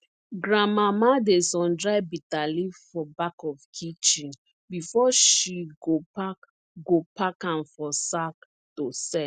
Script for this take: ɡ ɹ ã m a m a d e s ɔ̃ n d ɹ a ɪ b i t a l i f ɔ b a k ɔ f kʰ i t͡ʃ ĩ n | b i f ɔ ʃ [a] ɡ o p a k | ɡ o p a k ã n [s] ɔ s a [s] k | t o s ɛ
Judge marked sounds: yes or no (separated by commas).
no, no, no